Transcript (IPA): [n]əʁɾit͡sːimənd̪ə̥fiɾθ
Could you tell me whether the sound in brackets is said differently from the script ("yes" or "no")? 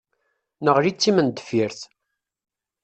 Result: no